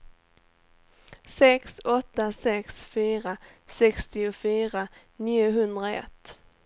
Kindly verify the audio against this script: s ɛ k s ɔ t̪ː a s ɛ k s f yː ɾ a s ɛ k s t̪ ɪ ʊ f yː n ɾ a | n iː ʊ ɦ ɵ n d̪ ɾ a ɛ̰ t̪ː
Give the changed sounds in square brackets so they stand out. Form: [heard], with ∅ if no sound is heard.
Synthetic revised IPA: s ɛ k s ɔ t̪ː a s ɛ k s f yː ɾ a s ɛ k s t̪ ɪ ʊ f yː [∅] ɾ a | n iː ʊ ɦ ɵ n d̪ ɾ a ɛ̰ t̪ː